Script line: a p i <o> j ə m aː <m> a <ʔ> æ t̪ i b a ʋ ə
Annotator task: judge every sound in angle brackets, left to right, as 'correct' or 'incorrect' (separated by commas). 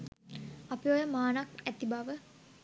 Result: correct, incorrect, incorrect